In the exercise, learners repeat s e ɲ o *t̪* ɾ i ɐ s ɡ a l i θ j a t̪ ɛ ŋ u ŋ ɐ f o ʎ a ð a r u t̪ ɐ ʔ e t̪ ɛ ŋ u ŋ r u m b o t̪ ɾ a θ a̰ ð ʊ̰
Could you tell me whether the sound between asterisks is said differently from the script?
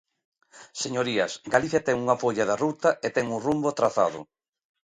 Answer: yes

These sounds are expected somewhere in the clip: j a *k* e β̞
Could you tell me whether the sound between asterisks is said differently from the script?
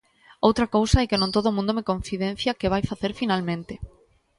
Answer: no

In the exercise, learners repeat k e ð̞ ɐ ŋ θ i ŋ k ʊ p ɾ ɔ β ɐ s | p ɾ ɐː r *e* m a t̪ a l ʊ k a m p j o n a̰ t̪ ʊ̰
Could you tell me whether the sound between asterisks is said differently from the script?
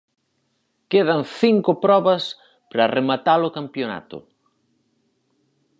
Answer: no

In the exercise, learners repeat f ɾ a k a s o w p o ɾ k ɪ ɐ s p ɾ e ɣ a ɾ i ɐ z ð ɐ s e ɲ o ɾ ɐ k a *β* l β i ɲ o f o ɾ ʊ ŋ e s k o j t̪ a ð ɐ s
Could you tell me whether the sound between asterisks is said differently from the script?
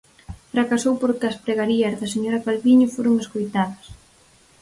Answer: yes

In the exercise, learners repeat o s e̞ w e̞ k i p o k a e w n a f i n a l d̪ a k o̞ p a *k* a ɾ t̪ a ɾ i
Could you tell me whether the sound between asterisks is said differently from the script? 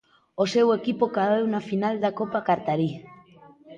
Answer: no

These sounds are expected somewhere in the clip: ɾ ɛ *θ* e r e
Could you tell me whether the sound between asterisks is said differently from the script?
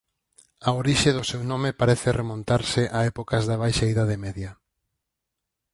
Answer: no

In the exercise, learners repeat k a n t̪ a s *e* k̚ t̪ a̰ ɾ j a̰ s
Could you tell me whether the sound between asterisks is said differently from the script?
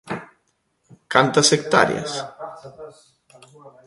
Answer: no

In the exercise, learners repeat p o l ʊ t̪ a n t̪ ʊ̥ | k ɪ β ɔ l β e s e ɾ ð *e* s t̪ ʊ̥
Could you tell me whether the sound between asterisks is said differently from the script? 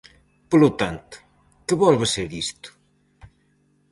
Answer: yes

